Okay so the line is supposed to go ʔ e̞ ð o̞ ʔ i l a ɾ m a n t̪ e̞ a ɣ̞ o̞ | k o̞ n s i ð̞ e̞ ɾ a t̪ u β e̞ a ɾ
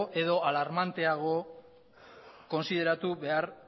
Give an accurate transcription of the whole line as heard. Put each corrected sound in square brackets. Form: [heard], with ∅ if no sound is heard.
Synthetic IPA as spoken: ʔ e̞ ð o̞ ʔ [a] l a ɾ m a n t̪ e̞ a ɣ̞ o̞ | k o̞ n s i ð̞ e̞ ɾ a t̪ u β e̞ a ɾ